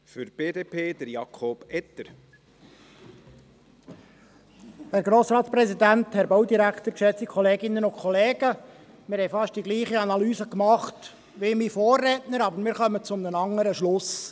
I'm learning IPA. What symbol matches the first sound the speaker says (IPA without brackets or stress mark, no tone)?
f